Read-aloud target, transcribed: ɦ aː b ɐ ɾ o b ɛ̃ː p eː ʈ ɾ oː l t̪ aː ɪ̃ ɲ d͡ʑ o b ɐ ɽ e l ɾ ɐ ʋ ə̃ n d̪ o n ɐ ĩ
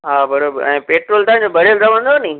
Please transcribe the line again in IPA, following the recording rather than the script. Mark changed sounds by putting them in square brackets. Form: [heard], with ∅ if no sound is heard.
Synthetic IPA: ɦ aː b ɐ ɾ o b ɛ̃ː p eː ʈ ɾ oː l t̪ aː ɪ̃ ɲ d͡ʑ o b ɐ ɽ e l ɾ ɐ ʋ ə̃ n d̪ o n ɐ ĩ